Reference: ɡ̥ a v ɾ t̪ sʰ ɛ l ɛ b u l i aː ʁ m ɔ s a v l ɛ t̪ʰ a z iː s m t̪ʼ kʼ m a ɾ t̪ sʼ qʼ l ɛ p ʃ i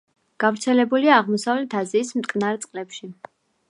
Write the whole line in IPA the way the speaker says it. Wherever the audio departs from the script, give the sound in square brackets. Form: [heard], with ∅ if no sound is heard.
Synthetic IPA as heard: ɡ̥ a v ɾ t̪ sʰ ɛ l ɛ b u l i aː ʁ m ɔ s a v l ɛ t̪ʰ a z iː s m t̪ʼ kʼ [n] a ɾ t̪ sʼ qʼ l ɛ p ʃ i